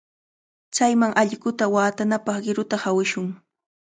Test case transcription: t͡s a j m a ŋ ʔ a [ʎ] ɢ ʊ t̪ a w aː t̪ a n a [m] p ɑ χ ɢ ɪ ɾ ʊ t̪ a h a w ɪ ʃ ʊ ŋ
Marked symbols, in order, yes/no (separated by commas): yes, no